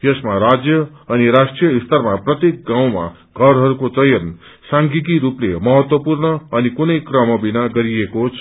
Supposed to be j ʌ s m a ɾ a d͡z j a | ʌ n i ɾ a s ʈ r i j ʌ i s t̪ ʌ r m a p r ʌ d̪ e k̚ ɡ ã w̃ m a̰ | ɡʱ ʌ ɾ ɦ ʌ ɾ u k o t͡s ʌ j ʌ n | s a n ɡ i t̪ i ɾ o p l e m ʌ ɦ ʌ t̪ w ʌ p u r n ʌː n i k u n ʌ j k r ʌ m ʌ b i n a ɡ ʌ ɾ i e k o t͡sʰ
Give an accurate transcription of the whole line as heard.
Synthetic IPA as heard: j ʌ s m a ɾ a d͡z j ʌ | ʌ n i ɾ a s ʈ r i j ʌ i s t̪ ʌ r m a p r ʌ t̪ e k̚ ɡ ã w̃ m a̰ | ɡʱ ʌ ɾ ɦ ʌ ɾ u k o t͡s ʌ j ʌ n | s a ŋ ɡ i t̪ i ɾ u p l e m ʌ ɦ ʌ t̪ w ʌ p u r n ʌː n i k u n ʌ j k r ʌ m ʌ b i n a ɡ ʌ ɾ i e k o t͡sʰ